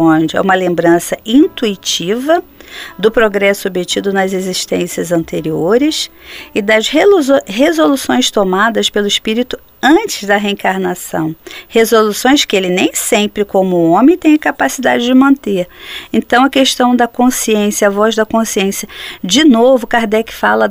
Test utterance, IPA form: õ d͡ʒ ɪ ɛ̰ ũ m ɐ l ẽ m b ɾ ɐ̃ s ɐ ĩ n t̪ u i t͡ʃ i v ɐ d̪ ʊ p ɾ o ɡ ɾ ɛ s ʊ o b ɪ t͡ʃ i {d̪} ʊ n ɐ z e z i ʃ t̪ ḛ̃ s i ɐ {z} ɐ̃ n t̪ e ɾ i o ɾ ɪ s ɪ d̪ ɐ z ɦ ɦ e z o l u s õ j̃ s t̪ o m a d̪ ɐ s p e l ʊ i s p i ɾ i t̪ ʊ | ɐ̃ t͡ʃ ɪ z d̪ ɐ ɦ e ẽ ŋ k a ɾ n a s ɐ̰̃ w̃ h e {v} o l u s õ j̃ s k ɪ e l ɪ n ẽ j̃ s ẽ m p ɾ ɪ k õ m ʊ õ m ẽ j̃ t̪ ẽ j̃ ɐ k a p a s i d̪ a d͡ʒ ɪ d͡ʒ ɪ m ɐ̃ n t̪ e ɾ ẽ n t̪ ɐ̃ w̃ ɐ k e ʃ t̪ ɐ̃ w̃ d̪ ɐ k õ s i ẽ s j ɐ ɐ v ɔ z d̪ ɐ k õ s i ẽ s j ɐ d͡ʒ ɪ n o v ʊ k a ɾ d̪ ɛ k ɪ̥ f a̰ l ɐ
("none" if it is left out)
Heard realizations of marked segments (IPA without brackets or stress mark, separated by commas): d̪, z, z